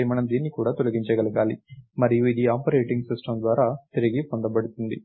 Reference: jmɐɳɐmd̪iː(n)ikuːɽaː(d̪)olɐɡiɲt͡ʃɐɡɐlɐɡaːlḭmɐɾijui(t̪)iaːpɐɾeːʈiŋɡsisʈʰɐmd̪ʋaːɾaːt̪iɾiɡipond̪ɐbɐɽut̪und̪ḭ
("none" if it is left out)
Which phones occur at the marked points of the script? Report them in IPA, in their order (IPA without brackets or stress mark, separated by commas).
nː, t̪, d̪